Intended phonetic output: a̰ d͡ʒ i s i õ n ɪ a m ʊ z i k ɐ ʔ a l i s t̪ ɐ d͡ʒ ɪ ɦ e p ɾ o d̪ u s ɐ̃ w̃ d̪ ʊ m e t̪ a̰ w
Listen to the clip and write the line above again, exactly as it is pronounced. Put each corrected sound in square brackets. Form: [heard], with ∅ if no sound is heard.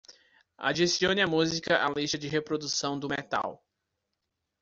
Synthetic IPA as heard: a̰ d͡ʒ i s i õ n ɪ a m [u] z i k ɐ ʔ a l i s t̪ ɐ d͡ʒ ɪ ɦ e p ɾ o d̪ u s ɐ̃ w̃ d̪ ʊ m e t̪ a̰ w